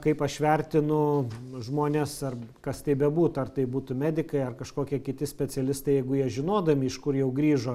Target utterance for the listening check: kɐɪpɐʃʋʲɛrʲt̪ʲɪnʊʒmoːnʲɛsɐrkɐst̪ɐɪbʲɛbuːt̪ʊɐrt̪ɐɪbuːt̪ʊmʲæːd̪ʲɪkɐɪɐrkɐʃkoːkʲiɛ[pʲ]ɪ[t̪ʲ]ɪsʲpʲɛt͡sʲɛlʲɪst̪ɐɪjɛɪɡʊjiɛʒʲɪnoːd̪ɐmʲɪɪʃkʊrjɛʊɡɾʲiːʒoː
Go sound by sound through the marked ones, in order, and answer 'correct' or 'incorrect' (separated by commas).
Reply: incorrect, correct